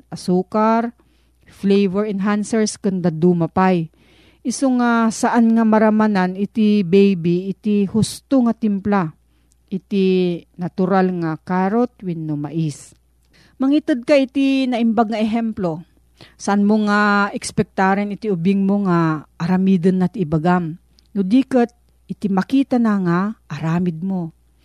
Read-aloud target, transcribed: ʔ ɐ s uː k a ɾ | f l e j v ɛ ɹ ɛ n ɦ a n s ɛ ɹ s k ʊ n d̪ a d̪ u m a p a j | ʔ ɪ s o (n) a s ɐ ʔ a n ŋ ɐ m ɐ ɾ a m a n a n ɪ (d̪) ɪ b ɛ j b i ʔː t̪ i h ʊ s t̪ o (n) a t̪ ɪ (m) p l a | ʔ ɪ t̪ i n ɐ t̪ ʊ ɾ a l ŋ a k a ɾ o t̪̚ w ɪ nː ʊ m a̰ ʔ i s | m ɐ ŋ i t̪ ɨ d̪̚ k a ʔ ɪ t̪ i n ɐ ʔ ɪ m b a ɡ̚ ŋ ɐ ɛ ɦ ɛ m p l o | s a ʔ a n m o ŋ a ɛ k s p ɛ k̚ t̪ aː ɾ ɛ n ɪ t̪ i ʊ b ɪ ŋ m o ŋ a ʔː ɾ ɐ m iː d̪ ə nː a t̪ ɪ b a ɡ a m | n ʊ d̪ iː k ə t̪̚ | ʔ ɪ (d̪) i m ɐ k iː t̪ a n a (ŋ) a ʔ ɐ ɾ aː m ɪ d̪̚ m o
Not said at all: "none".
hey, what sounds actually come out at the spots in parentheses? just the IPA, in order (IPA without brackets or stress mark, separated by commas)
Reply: ŋ, t̪, ŋ, m, t̪, ŋ